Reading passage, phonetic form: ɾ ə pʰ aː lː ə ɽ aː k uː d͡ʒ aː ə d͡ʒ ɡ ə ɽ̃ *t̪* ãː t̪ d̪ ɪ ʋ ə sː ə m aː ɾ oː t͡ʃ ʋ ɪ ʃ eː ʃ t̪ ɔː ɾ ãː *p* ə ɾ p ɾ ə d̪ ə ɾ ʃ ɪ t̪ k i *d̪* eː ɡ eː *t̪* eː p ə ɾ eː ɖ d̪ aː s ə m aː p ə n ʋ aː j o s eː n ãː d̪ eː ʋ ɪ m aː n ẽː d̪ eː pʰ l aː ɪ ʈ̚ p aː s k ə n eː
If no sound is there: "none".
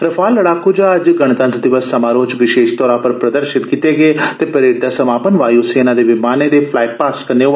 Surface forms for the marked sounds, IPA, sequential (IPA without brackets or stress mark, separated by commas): t̪, p, t̪, t̪